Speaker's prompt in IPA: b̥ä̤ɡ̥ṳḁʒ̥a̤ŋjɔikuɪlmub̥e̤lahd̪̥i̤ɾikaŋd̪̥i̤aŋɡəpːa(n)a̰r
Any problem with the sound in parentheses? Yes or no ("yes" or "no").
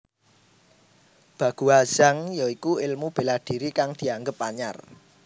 yes